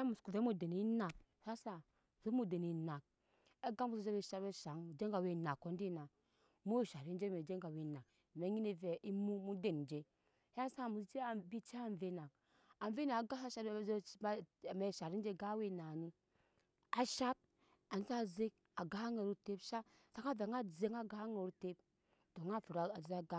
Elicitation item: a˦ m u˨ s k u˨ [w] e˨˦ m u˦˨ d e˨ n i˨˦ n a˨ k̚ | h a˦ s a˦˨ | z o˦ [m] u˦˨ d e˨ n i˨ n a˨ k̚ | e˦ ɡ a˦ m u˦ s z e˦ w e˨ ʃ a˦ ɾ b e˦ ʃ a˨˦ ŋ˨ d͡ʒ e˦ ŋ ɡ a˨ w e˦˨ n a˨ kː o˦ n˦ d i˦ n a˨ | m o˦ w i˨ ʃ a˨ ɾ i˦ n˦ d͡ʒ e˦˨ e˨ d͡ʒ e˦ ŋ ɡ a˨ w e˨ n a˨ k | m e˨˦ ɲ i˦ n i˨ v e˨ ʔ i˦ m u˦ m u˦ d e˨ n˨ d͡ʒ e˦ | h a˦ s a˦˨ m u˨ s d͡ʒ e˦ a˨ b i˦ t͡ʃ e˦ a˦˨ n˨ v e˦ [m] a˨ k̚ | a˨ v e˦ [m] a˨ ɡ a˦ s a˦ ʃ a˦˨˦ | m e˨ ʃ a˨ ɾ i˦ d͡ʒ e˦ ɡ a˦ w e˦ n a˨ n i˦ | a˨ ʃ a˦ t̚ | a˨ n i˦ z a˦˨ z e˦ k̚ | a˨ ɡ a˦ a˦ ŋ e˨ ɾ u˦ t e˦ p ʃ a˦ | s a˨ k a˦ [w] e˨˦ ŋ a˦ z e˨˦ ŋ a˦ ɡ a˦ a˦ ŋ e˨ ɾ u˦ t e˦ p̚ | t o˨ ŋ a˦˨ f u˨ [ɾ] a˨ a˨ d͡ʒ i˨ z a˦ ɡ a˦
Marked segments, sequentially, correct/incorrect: incorrect, correct, incorrect, incorrect, incorrect, correct

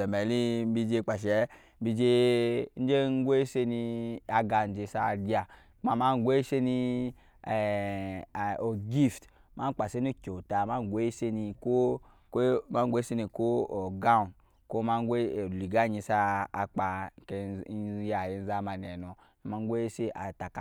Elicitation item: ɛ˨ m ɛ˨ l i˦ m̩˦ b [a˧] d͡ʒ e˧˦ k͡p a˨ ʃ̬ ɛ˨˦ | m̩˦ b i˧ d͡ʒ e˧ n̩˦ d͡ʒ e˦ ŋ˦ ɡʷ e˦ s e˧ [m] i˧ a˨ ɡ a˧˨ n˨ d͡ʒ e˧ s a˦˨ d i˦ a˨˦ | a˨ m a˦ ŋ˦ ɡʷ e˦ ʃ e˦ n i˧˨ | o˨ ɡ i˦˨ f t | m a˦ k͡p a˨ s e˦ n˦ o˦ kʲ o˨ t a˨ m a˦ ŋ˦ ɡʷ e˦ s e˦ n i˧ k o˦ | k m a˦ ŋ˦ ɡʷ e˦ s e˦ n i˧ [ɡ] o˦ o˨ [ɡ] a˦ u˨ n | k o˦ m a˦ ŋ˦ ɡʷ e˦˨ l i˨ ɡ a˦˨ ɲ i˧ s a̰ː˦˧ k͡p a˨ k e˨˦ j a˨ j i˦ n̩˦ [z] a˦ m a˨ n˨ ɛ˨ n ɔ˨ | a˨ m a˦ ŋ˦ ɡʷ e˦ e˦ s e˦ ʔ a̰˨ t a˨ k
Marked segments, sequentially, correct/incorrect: incorrect, incorrect, incorrect, correct, correct

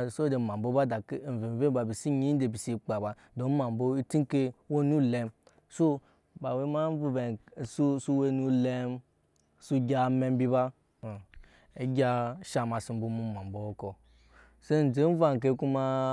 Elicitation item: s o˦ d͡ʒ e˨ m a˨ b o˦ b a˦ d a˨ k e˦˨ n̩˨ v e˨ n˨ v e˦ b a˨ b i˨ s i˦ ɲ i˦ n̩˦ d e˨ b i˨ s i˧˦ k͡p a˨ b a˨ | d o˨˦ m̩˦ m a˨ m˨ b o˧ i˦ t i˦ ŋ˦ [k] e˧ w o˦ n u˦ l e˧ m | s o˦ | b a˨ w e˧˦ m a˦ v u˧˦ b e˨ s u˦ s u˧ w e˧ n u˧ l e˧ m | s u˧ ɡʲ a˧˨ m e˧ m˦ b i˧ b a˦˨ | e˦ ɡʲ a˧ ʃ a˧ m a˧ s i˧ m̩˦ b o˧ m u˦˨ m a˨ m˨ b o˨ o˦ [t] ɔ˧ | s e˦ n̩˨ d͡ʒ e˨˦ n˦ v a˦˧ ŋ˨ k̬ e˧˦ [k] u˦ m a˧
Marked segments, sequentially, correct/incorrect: correct, incorrect, correct

